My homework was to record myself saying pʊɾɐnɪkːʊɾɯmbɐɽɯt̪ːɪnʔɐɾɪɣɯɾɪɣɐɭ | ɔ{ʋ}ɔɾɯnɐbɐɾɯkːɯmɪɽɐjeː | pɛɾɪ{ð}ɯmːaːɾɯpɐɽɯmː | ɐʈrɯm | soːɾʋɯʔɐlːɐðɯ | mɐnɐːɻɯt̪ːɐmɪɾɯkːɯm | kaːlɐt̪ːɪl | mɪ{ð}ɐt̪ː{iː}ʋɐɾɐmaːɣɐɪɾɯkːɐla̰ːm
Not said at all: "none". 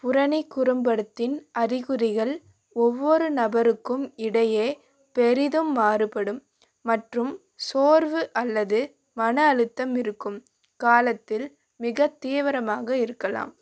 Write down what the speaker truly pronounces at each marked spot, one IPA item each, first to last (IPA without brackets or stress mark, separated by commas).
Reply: ʋː, ð, ɣ, iː